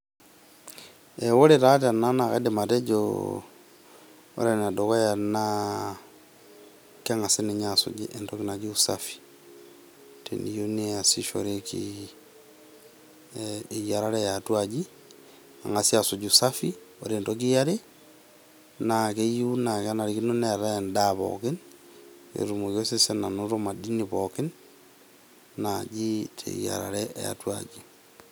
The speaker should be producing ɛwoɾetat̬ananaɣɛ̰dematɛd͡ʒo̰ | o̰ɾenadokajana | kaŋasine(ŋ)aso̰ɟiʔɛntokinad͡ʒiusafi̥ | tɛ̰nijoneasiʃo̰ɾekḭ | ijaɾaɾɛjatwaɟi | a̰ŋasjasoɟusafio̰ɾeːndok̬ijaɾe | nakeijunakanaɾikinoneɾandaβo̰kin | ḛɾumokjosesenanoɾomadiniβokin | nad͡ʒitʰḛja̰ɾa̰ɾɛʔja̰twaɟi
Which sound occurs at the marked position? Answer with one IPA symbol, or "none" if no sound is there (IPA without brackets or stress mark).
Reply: ɲ